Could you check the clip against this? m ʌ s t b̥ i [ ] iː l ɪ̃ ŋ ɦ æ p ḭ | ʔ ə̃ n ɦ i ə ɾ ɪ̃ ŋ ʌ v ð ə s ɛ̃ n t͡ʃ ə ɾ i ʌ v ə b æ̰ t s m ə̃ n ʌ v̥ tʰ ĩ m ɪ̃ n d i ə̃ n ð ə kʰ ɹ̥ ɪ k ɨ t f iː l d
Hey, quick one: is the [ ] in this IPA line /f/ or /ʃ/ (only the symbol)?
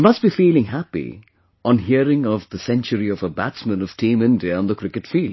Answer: f